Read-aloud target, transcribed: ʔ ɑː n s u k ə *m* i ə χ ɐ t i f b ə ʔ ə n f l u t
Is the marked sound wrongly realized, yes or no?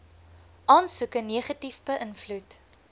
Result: yes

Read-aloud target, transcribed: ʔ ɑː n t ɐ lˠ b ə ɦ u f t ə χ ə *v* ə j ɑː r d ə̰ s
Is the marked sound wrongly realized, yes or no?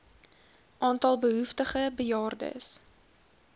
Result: yes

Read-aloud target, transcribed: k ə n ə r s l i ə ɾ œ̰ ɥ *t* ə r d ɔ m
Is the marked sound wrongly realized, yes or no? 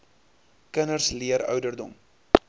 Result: yes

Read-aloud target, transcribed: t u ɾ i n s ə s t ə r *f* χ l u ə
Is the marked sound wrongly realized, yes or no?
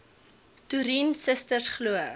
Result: yes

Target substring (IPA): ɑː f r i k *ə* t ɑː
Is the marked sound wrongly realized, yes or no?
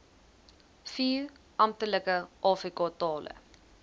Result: yes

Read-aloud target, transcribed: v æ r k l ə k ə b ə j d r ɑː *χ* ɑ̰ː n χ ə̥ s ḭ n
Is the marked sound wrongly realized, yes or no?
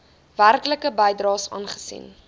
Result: yes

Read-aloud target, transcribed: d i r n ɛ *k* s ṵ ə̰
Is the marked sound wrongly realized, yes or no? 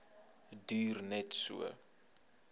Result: yes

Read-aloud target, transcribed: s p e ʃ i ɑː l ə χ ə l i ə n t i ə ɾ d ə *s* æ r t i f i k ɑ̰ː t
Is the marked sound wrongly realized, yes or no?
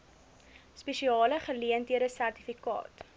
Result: no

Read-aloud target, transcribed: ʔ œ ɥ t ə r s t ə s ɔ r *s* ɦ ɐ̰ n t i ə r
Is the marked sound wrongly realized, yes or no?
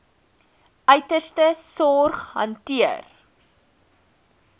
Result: yes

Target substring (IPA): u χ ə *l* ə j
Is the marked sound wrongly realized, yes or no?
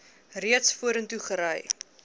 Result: yes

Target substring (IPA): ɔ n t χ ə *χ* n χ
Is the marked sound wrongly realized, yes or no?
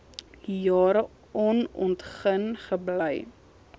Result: yes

